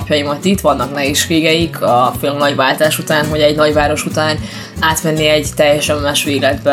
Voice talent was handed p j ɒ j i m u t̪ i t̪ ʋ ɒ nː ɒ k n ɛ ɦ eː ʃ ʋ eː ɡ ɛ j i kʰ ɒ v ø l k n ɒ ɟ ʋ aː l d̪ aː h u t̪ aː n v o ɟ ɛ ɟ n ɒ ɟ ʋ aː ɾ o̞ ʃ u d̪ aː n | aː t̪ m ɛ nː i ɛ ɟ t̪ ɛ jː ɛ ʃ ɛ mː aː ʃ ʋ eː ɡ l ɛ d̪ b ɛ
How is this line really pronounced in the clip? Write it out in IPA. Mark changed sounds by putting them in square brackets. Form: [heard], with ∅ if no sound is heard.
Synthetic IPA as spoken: p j ɒ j i m [ɒ] t̪ i t̪ ʋ ɒ nː ɒ k n ɛ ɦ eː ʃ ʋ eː ɡ ɛ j i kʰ ɒ [f] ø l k n ɒ ɟ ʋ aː l [t̪] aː [ʃ] u t̪ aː n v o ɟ ɛ ɟ n ɒ ɟ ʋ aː ɾ o̞ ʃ u [t̪] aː n | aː t̪ m ɛ nː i ɛ ɟ t̪ ɛ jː ɛ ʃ ɛ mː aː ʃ ʋ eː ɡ l ɛ d̪ b ɛ